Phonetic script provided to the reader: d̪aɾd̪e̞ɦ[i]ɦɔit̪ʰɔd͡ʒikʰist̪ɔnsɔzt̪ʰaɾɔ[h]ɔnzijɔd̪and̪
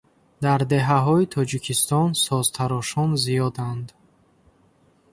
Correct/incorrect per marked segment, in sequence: incorrect: a, incorrect: ʃ

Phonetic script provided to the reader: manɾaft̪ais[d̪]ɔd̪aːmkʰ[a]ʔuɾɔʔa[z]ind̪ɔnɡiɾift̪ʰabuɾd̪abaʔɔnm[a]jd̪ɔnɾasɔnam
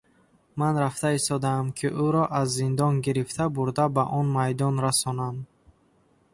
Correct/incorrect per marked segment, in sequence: incorrect: t̪, incorrect: i, incorrect: zː, correct

